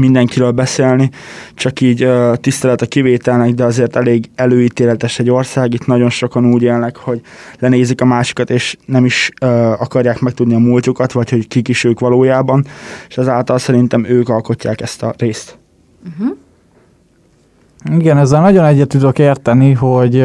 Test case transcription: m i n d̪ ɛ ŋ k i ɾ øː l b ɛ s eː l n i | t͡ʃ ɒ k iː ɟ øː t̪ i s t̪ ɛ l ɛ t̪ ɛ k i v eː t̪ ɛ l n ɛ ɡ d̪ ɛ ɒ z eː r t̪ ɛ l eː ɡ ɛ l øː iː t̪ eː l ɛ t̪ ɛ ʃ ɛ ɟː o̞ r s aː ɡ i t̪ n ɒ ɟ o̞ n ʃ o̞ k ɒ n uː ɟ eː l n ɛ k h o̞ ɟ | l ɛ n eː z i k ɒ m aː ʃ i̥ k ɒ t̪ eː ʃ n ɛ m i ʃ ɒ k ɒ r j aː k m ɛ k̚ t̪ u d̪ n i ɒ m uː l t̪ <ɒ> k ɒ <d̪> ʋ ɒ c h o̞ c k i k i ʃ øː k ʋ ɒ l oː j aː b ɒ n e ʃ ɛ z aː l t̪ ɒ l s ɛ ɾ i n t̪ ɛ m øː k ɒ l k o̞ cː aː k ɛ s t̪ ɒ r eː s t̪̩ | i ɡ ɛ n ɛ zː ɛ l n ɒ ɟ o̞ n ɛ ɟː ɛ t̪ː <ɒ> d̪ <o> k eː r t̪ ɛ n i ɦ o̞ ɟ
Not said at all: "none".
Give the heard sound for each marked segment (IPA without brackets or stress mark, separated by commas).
u, t̪, u, o